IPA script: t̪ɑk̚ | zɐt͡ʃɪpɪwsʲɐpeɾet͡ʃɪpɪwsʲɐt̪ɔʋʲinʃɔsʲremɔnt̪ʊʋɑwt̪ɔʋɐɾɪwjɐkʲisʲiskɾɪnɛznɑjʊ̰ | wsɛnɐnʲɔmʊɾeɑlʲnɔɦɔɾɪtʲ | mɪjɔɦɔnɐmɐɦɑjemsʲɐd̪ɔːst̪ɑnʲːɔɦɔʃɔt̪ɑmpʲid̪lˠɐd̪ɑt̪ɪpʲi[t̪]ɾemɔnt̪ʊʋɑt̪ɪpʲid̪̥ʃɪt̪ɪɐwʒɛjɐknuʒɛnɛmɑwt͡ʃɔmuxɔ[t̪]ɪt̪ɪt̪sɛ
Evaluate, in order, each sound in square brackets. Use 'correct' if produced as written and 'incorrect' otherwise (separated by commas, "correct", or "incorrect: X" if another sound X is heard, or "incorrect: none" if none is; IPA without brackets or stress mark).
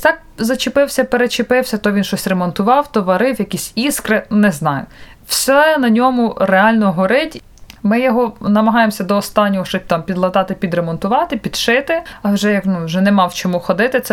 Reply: incorrect: d̪, incorrect: d̪